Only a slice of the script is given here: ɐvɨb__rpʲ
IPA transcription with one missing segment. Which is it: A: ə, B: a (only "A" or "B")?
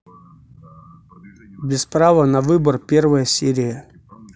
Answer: A